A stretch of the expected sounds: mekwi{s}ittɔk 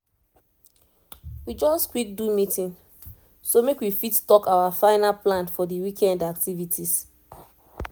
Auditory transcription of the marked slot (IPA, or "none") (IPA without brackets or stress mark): f